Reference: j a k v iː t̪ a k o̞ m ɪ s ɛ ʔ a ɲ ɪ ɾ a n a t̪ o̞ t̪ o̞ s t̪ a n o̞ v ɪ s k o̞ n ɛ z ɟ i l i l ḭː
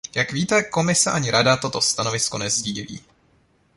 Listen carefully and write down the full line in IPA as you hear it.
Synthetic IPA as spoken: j a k v iː t̪ ɛ k o̞ m ɪ s ɛ ʔ a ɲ ɪ ɾ a d a t̪ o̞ t̪ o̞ s t̪ a n o̞ v ɪ s k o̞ n ɛ z ɟ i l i l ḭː